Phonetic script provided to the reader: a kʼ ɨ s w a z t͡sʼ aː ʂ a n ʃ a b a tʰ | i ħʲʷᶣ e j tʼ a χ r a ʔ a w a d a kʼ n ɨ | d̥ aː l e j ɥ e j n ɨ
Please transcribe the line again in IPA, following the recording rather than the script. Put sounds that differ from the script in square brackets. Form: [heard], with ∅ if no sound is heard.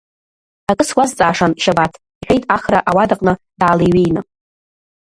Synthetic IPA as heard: a kʼ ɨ s w a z t͡sʼ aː ʂ a n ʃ a b a tʰ | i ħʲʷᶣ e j tʼ a χ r a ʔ a w a d a [qʼ] n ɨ | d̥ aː l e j ɥ e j n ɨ